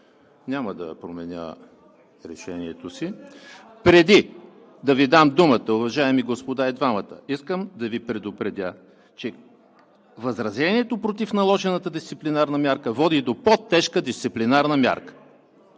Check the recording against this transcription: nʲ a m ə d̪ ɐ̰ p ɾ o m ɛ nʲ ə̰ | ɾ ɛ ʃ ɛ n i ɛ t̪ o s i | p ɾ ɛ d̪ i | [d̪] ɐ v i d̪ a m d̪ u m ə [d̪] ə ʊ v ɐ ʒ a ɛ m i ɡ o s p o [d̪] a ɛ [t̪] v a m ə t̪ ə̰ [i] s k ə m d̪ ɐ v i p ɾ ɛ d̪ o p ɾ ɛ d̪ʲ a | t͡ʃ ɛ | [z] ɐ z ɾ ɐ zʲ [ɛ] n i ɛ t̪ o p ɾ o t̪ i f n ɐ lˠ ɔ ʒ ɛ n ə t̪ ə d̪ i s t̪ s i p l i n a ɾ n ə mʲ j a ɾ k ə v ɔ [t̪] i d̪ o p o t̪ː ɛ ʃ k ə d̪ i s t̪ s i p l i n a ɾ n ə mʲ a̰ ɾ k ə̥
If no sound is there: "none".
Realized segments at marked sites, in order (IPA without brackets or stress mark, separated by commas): d̪, t̪, d̪, d̪, i, v, ɛ, d̪